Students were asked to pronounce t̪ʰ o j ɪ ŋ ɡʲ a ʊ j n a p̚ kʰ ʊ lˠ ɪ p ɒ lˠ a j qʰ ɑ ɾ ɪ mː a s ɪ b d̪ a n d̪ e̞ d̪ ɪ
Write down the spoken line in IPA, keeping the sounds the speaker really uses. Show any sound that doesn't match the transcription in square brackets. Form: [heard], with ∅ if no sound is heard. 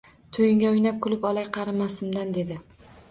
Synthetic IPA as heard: t̪ʰ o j ɪ ŋ ɡʲ a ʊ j n a p̚ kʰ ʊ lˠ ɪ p ɒ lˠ a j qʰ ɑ ɾ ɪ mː a s ɪ [m] d̪ a n d̪ e̞ d̪ ɪ

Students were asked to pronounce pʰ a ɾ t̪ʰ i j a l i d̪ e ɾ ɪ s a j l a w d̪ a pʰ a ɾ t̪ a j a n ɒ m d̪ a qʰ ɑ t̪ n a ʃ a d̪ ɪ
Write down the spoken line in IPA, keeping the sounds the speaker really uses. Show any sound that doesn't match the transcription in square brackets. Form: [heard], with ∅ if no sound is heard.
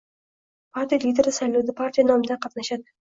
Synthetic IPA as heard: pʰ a ɾ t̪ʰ i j a l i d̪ e ɾ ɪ s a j l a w d̪ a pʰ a ɾ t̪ [i] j a n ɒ m d̪ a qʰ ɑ t̪ n a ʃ a d̪ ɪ

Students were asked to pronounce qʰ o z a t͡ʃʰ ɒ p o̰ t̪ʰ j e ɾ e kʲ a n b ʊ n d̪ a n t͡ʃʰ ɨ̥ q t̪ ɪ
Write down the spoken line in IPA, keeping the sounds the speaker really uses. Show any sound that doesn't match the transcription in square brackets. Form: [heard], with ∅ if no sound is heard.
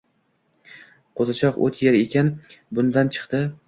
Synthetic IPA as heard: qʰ o z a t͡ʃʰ ɒ [q] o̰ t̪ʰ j e ɾ e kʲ a n b ʊ n d̪ a n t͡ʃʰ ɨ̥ q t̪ ɪ

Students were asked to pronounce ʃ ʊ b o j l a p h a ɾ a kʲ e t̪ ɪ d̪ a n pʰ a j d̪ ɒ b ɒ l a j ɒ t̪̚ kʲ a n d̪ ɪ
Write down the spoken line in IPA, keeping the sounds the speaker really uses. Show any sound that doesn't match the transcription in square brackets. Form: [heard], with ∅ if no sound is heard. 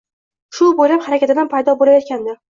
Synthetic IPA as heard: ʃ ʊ b o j l a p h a ɾ a kʲ [a] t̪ ɪ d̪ a n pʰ a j d̪ ɒ b [o] l a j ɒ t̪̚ kʲ a n d̪ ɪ

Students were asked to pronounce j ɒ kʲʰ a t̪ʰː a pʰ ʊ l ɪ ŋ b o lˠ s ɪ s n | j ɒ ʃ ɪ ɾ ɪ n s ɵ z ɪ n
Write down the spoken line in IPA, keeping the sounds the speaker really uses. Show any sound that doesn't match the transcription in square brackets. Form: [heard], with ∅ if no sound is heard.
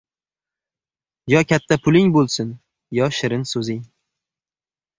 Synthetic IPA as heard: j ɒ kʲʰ a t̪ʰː a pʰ ʊ l ɪ ŋ b o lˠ s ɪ [∅] n | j ɒ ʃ ɪ ɾ ɪ n s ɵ z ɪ [ŋ]

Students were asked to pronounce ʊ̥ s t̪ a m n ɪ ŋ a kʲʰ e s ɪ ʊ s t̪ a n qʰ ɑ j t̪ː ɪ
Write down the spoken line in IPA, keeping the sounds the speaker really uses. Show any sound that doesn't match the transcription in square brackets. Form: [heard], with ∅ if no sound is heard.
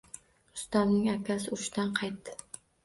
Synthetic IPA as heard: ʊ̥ s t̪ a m n ɪ ŋ a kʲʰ [a] s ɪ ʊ [ʃ] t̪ a n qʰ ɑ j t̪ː ɪ

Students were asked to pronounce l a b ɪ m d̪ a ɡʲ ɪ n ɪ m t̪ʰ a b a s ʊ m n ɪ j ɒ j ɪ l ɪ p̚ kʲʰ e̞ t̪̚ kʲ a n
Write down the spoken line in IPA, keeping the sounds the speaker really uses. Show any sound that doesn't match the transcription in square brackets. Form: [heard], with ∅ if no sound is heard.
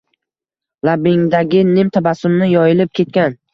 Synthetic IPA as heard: l a b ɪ [ŋ] d̪ a ɡʲ ɪ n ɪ m t̪ʰ a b a s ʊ m n ɪ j ɒ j ɪ l ɪ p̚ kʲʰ e̞ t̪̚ kʲ a n

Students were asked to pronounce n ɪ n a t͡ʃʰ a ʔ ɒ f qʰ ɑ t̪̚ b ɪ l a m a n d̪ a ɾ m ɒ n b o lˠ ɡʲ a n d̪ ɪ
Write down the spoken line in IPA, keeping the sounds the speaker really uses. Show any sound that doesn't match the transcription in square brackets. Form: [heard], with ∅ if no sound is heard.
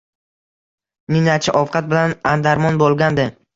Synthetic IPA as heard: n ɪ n a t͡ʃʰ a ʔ ɒ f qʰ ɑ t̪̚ b ɪ l a [n] a n d̪ a ɾ m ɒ n b o lˠ ɡʲ a n d̪ ɪ

